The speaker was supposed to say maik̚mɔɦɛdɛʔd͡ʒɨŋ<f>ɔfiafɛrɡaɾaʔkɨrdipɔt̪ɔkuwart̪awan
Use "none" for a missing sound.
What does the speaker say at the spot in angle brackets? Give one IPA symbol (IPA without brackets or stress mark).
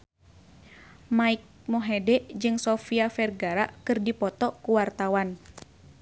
s